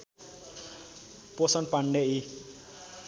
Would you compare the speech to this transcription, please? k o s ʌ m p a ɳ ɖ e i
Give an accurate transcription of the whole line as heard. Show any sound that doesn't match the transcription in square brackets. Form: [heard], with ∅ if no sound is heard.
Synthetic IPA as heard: [p] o s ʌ [n] p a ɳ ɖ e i

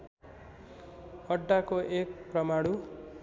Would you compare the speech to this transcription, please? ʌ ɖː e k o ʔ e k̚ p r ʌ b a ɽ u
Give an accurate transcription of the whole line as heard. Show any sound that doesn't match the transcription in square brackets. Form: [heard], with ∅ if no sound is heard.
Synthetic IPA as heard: ʌ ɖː [a] k o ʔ e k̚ p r ʌ [m] a ɽ u

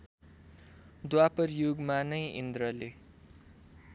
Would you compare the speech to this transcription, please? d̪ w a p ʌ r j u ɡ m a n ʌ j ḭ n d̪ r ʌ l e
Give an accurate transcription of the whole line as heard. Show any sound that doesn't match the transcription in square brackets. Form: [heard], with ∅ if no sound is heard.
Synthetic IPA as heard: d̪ w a p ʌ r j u ɡ m a n ʌ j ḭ n d̪ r ʌ l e

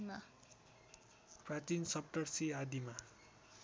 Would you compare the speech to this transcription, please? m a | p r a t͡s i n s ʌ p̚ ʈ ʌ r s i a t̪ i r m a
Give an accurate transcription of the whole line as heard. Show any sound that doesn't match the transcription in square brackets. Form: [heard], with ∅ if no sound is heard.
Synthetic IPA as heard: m a | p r a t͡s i n s ʌ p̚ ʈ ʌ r s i a [d̪] i [∅] m a

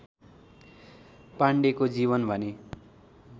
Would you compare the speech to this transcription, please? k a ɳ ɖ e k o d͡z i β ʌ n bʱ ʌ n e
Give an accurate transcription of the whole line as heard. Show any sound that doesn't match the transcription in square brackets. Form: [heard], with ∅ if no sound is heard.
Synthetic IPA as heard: [p] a ɳ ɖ e k o d͡z i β ʌ n bʱ ʌ n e

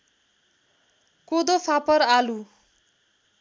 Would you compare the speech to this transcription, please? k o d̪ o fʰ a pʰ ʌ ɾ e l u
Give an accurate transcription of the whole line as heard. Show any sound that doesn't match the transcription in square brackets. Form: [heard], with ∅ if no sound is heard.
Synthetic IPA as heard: k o d̪ o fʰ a [p] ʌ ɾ [a] l u

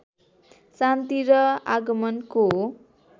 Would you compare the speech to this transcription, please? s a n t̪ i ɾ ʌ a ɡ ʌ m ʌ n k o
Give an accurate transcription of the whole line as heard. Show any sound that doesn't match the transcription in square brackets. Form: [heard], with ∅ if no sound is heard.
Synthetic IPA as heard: s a n t̪ i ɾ ʌ a ɡ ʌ m ʌ n k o

